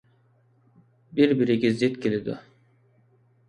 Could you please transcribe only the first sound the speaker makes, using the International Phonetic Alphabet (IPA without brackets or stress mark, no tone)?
b